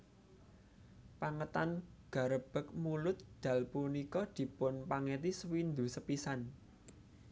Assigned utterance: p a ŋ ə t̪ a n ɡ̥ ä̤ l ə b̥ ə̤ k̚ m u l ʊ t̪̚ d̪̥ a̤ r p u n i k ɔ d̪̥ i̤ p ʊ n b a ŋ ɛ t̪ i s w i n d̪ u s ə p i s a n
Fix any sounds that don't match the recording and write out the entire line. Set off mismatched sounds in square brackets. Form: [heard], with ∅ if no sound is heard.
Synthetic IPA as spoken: p a ŋ ə t̪ a n ɡ̥ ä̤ [ɾ] ə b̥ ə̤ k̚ m u l ʊ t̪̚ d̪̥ a̤ [l] p u n i k ɔ d̪̥ i̤ p ʊ n [p] a ŋ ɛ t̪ i s w i n d̪ u s ə p i s a n